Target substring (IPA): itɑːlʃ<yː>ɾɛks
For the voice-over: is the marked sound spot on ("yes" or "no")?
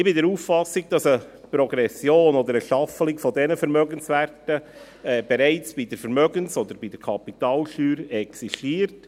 yes